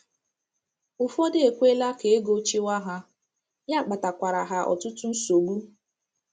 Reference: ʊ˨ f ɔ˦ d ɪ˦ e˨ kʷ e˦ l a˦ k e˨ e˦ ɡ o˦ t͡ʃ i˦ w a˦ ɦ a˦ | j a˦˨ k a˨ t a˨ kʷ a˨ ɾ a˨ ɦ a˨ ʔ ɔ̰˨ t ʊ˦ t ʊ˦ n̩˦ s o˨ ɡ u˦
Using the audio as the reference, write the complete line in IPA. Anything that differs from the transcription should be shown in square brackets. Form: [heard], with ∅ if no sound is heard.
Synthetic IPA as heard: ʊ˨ f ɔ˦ d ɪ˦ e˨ kʷ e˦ l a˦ k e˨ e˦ ɡ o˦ t͡ʃ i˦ w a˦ ɦ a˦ | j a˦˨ [k͡p] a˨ t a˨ kʷ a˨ ɾ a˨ ɦ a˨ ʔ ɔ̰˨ t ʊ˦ t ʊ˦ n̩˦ s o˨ ɡ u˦